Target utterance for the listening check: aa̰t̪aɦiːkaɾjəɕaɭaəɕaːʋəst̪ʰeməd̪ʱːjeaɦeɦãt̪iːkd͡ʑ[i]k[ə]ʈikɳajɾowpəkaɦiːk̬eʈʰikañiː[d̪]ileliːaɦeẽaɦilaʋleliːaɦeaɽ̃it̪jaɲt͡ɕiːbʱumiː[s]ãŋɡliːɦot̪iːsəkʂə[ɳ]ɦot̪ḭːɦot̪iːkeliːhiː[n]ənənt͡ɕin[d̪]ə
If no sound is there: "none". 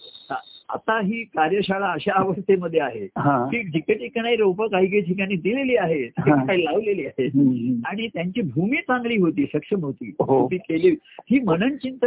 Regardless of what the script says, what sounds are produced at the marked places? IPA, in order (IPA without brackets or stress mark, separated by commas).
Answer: i, ə, d̪, t͡s, m, m, t̪